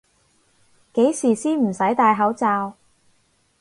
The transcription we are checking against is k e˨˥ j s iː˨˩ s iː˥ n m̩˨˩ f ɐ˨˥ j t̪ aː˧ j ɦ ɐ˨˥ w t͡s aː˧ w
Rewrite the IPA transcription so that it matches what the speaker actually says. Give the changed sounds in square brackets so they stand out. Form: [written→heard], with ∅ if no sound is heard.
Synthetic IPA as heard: k e˨˥ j s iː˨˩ s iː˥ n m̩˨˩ [f→s] ɐ˨˥ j t̪ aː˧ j ɦ ɐ˨˥ w t͡s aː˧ w